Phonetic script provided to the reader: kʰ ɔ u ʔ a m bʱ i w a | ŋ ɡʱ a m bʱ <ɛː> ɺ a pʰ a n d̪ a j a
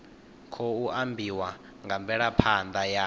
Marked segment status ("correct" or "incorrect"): incorrect